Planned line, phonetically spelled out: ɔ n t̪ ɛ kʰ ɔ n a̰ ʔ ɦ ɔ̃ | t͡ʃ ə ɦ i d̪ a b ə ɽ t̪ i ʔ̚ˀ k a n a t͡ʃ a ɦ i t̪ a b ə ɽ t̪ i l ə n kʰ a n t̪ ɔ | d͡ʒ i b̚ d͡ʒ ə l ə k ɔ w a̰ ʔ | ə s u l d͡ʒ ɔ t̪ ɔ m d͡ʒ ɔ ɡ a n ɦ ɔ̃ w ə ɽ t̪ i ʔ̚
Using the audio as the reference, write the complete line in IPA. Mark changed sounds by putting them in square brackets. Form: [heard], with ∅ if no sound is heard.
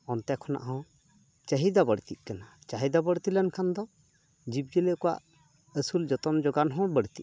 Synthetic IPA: ɔ n t̪ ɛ kʰ ɔ n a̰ ʔ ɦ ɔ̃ | t͡ʃ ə ɦ i d̪ a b ə ɽ t̪ i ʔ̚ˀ k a n a t͡ʃ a ɦ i [d̪] a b ə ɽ t̪ i l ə n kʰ a n [d̪] ɔ | d͡ʒ i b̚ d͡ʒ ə l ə k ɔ w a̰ ʔ | ə s u l d͡ʒ ɔ t̪ ɔ m d͡ʒ ɔ ɡ a n ɦ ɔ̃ [b] ə ɽ t̪ i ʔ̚